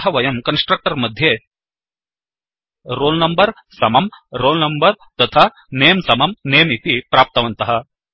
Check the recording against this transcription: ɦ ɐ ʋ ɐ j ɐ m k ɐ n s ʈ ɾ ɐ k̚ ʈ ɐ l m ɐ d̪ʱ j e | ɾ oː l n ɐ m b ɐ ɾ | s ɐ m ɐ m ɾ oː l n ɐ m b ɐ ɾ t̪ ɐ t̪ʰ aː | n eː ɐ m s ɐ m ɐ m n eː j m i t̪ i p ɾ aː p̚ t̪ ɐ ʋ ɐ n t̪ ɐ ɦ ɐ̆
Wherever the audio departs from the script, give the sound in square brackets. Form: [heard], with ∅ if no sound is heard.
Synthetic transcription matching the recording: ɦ ɐ ʋ ɐ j ɐ m k ɐ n s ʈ ɾ ɐ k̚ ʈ ɐ [ɾ] m ɐ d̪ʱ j e | ɾ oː l n ɐ m b ɐ ɾ | s ɐ m ɐ m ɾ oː l n ɐ m b ɐ ɾ t̪ ɐ t̪ʰ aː | n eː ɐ m s ɐ m ɐ m n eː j m i t̪ i p ɾ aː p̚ t̪ ɐ ʋ ɐ n t̪ ɐ ɦ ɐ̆